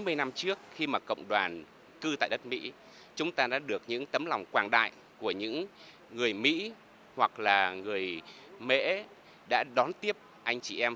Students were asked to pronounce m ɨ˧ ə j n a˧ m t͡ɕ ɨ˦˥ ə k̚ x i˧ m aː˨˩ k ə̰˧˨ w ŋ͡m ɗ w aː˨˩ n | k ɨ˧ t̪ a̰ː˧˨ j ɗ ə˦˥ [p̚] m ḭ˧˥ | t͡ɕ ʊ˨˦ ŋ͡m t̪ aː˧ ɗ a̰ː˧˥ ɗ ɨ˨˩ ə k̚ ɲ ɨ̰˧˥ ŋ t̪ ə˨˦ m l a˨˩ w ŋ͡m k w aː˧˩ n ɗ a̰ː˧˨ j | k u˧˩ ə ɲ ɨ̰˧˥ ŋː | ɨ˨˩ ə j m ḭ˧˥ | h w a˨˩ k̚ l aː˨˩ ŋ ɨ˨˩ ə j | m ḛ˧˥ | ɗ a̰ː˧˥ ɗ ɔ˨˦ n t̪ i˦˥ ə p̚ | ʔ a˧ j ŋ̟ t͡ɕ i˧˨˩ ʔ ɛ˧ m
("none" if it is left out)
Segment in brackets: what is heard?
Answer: t̚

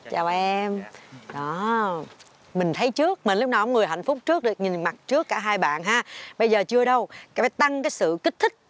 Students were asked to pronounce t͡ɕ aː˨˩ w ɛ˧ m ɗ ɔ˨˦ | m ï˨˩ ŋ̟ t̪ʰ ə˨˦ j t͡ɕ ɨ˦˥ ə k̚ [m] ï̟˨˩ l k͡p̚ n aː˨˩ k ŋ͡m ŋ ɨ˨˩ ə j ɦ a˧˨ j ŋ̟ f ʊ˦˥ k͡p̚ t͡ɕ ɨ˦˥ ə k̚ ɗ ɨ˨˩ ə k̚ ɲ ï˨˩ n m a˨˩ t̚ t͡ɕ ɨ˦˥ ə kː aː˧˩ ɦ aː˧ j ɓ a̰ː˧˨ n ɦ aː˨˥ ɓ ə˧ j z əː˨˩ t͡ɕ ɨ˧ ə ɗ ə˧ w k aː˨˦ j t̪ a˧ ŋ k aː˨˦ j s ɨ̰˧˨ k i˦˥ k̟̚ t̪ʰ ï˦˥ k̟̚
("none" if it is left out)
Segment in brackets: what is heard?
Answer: m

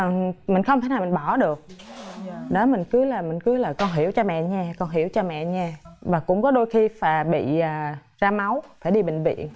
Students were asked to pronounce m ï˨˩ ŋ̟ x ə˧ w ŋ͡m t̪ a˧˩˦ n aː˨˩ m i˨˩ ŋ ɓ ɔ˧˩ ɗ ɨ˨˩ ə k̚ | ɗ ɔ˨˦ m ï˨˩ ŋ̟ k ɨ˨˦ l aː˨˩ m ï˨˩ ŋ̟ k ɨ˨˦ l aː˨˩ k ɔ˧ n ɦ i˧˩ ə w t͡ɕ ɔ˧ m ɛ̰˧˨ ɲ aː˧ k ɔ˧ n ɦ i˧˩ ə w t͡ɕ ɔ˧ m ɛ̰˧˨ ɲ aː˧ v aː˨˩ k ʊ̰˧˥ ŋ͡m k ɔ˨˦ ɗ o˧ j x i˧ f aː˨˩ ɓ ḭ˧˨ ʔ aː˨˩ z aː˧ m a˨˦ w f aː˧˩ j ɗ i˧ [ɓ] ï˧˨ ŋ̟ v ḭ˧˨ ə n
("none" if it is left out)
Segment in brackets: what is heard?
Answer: ɓ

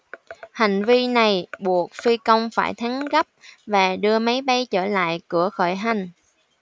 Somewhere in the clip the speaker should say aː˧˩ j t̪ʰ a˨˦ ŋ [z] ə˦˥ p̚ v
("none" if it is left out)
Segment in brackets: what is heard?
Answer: ɣ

